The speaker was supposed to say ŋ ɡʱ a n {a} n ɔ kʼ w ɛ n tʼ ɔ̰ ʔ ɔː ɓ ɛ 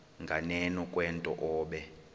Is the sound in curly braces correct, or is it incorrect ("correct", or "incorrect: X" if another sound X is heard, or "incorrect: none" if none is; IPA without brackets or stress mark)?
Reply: incorrect: ɛ